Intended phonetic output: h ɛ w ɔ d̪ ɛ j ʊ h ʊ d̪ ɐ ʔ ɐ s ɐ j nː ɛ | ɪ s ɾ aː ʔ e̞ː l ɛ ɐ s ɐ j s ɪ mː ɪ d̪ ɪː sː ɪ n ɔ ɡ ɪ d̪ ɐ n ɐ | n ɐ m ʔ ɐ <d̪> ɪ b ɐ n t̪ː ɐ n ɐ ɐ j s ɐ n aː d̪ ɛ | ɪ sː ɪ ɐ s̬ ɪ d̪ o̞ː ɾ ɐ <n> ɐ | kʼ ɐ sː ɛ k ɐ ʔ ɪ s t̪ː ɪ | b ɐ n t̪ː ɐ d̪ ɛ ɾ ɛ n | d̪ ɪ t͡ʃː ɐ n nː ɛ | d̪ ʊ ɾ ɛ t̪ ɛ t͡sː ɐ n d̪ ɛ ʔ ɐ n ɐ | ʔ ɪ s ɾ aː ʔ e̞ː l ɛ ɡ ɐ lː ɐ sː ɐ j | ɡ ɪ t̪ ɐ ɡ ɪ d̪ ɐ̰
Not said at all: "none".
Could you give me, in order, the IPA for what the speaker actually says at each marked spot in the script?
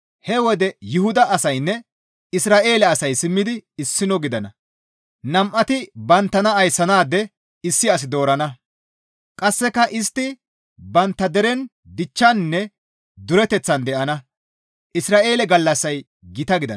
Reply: t̪, n

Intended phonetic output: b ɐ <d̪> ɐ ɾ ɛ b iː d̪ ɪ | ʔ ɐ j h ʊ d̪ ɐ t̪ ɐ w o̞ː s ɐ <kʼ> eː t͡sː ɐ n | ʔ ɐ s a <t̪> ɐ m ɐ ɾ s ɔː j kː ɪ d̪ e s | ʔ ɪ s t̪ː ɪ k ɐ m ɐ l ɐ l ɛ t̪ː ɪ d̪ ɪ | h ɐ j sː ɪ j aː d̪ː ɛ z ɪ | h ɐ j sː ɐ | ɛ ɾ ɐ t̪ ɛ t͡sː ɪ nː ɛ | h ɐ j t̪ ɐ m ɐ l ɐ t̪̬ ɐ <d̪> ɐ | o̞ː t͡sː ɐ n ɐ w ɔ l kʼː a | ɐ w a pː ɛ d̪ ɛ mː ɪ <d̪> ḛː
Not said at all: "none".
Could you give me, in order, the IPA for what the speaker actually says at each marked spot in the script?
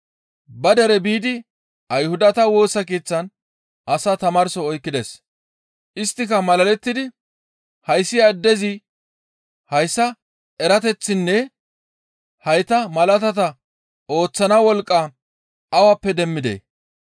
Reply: d̪, k, t̪, t̪, d̪

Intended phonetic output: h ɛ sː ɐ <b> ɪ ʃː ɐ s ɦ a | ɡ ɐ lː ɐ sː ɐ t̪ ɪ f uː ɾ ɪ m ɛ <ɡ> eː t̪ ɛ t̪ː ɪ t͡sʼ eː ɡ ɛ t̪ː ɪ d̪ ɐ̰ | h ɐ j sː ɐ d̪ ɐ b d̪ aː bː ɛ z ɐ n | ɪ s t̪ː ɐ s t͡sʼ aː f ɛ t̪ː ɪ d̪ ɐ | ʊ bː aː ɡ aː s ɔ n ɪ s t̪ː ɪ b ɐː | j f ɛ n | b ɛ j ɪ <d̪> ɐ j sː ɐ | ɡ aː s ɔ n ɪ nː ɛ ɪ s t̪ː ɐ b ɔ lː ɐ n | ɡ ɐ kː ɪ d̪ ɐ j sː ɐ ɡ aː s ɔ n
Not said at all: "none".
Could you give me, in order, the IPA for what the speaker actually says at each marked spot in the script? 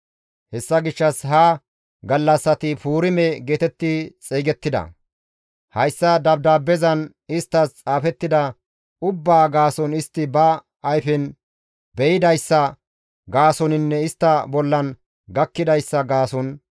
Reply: ɡ, ɡ, d̪

